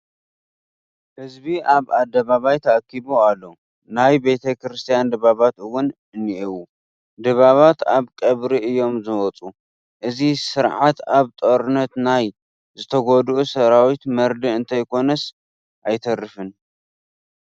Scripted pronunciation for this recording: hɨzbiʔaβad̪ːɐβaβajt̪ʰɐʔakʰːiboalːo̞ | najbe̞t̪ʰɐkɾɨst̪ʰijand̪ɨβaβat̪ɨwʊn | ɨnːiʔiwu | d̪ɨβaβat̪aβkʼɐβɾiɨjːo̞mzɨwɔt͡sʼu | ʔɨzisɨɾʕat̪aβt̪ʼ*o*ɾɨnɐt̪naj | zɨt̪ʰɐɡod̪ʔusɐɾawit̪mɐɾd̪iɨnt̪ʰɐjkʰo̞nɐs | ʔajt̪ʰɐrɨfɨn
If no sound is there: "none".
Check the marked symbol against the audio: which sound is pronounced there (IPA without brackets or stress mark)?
o